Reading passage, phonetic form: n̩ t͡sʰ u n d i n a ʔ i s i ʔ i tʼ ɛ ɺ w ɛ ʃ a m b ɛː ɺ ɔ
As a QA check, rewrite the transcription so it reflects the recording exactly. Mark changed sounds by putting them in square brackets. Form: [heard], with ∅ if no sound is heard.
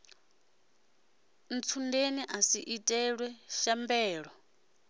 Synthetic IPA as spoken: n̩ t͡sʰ u n d [e] n [i] ʔ [a] s i ʔ i tʼ ɛ ɺ w ɛ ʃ a m b ɛː ɺ ɔ